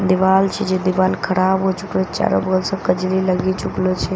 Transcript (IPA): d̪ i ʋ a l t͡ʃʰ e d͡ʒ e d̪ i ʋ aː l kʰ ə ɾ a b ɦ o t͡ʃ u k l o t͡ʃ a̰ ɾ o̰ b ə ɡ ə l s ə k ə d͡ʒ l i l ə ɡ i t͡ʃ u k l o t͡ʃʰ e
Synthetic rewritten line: d̪ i ʋ a l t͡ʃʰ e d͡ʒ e d̪ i ʋ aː l kʰ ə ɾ a b ɦ o t͡ʃ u k l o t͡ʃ a̰ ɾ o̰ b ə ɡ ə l s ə k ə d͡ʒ l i l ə ɡ i t͡ʃ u k l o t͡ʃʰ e